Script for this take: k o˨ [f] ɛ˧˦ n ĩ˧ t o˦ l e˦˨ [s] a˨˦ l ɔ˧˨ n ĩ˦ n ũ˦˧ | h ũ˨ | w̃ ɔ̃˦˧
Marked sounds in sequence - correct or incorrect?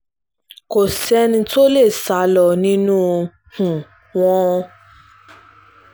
incorrect: s, correct

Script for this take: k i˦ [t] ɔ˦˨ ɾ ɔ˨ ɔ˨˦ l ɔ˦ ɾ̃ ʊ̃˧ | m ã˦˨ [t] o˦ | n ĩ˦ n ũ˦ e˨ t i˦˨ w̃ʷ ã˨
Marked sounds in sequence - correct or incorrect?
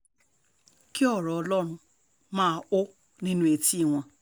incorrect: none, incorrect: none

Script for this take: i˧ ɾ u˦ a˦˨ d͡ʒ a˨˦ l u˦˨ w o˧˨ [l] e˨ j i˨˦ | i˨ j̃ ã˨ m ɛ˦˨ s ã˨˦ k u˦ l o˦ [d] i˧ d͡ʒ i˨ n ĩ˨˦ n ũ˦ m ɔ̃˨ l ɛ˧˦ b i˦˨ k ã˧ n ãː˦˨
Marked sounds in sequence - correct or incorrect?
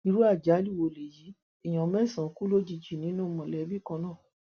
correct, incorrect: d͡ʒ

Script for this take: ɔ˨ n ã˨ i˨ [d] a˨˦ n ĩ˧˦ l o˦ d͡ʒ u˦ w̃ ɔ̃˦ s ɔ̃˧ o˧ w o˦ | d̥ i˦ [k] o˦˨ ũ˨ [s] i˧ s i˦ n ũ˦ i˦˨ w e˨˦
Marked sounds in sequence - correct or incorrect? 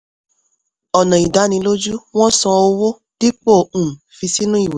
correct, incorrect: k͡p, incorrect: f

